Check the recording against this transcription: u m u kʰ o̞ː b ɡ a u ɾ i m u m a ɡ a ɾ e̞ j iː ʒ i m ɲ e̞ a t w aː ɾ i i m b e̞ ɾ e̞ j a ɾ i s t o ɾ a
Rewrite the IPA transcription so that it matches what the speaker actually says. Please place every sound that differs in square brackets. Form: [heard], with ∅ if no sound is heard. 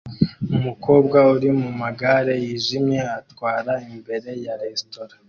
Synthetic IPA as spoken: u m u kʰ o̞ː b ɡ a u ɾ i m u m a ɡ a ɾ e̞ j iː ʒ i m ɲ e̞ a t w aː ɾ [a] i m b e̞ ɾ e̞ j a ɾ [e] s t o ɾ a

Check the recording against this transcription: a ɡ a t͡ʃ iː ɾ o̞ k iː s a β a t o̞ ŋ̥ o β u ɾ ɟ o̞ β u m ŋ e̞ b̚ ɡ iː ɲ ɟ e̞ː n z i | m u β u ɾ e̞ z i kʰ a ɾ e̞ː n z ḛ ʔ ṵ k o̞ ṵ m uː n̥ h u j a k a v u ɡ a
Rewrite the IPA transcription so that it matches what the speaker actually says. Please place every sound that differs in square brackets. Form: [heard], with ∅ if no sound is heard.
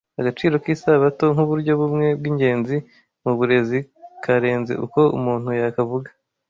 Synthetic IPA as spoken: a ɡ a t͡ʃ iː ɾ o̞ k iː s a β a t o̞ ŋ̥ [u] β u ɾ ɟ o̞ β u m ŋ e̞ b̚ ɡ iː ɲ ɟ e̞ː n z i | m u β u ɾ e̞ z i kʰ a ɾ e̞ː n z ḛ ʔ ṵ k o̞ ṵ m uː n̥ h u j a k a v u ɡ a

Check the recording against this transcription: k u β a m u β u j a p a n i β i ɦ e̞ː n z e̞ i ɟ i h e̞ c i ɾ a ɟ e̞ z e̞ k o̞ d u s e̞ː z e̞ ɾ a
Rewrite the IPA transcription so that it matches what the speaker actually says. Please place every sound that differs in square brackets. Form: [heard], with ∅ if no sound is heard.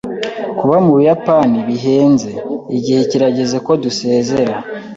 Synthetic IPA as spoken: k u β a m u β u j a p a n i β i ɦ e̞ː n z e̞ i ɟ i h e̞ c i ɾ a ɟ e̞ z e̞ k o̞ d u s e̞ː z e̞ ɾ a

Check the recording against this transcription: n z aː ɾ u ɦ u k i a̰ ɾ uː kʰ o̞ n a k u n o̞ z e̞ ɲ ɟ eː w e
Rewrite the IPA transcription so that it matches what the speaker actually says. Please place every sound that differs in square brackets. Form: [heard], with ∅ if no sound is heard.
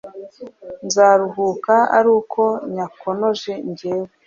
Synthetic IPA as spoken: n z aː ɾ u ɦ u k [a] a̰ ɾ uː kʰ o̞ [ɲ] a k [o] n o̞ [ʒ] e̞ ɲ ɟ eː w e

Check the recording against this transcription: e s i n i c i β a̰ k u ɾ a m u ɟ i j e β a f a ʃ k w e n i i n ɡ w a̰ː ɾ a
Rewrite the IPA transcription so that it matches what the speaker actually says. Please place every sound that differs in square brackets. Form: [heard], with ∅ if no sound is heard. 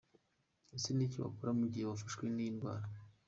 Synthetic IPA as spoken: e s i n i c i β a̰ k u ɾ a m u ɟ i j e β a f a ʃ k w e n i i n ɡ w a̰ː ɾ a

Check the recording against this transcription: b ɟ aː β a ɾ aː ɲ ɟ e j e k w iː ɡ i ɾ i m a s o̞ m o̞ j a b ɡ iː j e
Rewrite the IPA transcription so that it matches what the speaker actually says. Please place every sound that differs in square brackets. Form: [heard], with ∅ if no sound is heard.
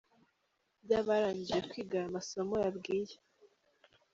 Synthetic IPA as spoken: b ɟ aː β a ɾ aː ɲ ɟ [i] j e k w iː ɡ [a] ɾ [a] m a s o̞ m o̞ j a b ɡ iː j e

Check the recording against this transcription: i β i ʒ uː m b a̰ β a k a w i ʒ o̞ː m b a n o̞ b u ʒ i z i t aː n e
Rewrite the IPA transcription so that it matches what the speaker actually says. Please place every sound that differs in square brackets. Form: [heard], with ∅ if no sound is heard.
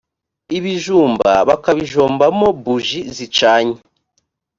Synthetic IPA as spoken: i β i ʒ uː m b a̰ β a k a [β] i ʒ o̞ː m b a [m] o̞ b u ʒ i z i [t͡ʃ] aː [ɲ] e

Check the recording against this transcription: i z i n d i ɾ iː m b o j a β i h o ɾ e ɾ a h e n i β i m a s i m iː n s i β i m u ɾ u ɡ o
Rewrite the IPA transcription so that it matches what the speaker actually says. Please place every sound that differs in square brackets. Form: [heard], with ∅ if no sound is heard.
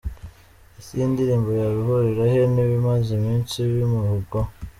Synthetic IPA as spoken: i [s] i n d i ɾ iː m b o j a β i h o ɾ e ɾ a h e n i β i m a [z] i m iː n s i β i m u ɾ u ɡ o

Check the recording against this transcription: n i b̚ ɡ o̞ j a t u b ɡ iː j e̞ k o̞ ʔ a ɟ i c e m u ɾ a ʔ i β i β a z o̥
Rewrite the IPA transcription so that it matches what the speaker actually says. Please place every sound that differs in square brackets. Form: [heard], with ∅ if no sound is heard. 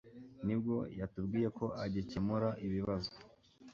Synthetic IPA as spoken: n i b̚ ɡ o̞ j a t u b ɡ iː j e̞ k o̞ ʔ a ɟ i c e m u ɾ a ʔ i β i β a z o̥

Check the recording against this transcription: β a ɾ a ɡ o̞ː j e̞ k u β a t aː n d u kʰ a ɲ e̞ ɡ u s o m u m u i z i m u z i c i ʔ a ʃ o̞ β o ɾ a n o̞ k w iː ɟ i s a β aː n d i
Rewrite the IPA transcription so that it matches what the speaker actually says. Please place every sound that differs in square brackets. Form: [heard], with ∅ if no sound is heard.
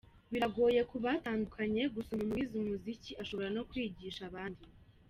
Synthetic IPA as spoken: β [i] ɾ a ɡ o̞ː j e̞ k u β a t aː n d u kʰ a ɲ e̞ ɡ u s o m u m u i z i m u z i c i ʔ a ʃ o̞ β o ɾ a n o̞ k w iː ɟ i [ʃ] a β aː n d i

